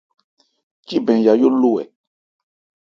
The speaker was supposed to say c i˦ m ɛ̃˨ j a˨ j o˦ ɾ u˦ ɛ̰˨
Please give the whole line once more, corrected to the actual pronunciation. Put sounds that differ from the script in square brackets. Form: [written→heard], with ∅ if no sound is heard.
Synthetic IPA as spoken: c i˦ [m→b] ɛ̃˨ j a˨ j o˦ [ɾ→l] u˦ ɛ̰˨